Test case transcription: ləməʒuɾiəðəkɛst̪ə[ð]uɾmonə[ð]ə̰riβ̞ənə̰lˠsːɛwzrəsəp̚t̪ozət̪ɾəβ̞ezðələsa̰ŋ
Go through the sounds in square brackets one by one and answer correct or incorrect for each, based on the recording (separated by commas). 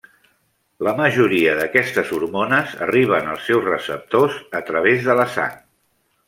incorrect, incorrect